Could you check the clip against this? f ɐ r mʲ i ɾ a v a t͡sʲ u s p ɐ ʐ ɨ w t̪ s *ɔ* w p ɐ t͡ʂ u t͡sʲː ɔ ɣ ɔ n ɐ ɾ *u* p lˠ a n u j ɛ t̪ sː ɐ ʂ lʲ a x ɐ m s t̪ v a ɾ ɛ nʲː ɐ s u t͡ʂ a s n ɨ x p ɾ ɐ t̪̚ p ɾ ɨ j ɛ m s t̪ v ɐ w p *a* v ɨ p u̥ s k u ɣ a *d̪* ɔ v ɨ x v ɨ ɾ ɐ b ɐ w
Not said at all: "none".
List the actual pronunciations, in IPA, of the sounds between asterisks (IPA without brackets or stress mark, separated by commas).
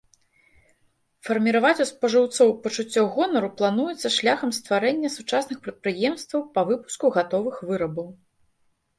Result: ɔ, u, ɐ, t̪